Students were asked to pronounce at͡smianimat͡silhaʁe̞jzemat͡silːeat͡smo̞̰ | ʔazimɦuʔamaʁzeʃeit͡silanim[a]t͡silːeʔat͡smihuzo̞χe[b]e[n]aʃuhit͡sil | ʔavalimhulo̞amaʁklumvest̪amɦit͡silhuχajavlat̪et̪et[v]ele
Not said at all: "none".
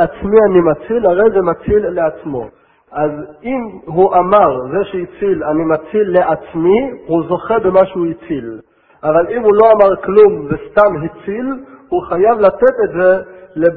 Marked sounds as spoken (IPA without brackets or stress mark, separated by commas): a, b, m, z